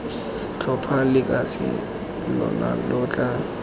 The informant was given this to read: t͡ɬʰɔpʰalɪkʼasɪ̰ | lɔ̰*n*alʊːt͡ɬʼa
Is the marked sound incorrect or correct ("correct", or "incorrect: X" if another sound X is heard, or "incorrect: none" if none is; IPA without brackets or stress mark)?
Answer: correct